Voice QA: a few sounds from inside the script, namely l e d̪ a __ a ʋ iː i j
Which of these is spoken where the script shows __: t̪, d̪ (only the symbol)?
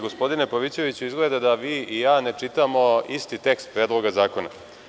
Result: d̪